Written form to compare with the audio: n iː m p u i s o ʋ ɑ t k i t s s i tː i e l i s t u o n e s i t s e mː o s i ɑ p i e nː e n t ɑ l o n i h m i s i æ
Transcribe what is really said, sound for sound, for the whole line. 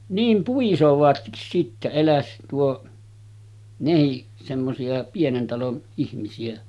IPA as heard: n iː m p u i s o ʋ ɑ t k i s s i tː æ e l æ s t u o n e h i ʔ s e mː o s i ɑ p i e n e n t ɑ l o n i h m i s i æ